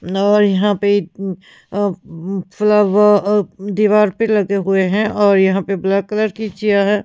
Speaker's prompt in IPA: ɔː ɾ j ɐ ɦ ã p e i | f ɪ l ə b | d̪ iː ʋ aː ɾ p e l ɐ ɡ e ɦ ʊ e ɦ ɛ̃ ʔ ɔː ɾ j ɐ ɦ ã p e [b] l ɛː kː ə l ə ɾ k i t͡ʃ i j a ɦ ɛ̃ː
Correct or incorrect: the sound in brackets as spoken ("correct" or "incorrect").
correct